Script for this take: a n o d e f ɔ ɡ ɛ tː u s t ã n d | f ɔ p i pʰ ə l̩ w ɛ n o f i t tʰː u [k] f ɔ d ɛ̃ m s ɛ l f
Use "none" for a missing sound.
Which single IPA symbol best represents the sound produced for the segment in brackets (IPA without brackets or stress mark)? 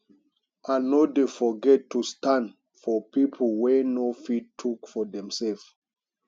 k